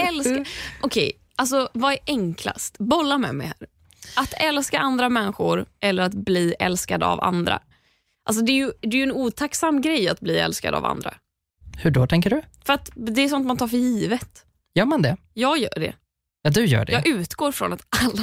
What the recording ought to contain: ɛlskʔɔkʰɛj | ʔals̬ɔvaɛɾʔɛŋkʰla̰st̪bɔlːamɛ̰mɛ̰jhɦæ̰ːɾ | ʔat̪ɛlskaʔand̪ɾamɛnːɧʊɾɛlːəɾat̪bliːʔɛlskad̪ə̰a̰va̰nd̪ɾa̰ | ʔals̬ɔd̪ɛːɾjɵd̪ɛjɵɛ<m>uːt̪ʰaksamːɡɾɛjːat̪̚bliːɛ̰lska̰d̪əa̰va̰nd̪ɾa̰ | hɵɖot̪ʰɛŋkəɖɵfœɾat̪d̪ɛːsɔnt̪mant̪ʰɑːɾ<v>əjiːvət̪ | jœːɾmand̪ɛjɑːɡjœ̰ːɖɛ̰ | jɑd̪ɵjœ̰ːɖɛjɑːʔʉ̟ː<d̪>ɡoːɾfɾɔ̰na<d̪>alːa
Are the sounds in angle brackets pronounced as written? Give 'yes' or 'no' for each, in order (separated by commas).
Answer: no, no, no, no